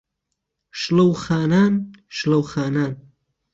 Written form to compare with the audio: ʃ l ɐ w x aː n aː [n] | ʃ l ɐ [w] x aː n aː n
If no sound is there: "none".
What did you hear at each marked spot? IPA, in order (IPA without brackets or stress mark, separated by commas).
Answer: n, w